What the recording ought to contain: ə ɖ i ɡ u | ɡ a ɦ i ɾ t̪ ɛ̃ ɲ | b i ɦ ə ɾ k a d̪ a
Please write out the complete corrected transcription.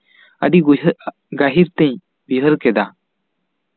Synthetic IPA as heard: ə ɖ i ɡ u | ɡ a ɦ i ɾ t̪ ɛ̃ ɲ | b i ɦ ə ɾ k ɛ d̪ a